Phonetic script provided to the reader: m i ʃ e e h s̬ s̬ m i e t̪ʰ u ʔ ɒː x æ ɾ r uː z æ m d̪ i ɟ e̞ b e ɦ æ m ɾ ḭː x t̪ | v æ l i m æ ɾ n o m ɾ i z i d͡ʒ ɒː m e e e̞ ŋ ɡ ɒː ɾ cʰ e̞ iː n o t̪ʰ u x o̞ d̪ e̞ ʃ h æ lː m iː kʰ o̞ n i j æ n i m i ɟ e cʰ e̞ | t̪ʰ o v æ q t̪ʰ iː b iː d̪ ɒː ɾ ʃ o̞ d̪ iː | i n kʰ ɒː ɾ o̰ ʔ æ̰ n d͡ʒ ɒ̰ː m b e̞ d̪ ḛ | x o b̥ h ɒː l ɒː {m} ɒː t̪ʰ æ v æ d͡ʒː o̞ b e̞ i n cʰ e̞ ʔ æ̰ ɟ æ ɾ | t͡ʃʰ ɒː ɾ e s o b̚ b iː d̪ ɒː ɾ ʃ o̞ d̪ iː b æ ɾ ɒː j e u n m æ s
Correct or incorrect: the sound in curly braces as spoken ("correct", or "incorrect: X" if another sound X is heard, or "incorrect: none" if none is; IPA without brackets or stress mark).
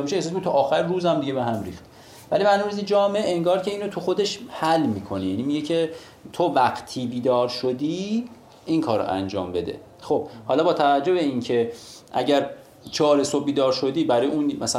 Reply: incorrect: b